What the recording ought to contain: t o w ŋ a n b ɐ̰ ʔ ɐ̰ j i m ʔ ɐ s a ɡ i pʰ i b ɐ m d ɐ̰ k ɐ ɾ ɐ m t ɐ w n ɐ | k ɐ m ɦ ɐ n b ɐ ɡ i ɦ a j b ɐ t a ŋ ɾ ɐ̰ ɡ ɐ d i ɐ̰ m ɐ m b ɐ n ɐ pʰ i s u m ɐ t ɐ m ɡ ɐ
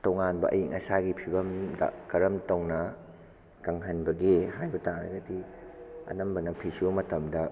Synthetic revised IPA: t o w ŋ a n b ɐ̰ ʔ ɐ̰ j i ŋ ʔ ɐ s a ɡ i pʰ i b ɐ m d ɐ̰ k ɐ ɾ ɐ m t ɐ w n ɐ | k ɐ ŋ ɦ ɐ n b ɐ ɡ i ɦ a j b ɐ t a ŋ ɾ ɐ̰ ɡ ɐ d i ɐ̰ n ɐ m b ɐ n ɐ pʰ i s u m ɐ t ɐ m d ɐ